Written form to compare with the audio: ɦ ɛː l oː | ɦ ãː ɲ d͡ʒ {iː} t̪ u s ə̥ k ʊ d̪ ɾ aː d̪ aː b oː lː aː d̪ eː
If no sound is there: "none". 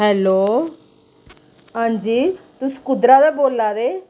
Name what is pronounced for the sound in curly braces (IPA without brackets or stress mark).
iː